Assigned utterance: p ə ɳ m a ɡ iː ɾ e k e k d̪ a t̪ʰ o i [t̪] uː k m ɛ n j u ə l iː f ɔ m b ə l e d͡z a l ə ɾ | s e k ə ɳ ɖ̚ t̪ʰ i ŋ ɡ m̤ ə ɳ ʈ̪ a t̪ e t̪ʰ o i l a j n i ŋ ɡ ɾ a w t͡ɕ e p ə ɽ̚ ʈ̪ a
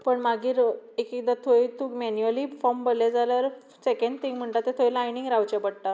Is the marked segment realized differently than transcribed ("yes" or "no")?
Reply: no